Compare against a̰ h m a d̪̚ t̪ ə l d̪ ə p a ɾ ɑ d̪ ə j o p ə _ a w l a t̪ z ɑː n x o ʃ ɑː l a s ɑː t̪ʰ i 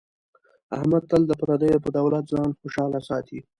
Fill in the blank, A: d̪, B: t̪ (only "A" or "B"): A